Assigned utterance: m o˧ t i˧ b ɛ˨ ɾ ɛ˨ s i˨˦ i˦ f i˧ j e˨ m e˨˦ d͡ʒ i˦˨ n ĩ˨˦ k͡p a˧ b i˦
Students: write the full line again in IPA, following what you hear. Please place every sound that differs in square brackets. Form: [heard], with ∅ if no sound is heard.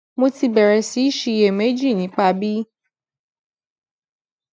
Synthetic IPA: m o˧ t i˧ b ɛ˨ ɾ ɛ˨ s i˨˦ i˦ [ʃ] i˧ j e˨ m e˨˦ d͡ʒ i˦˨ n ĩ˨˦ k͡p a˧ b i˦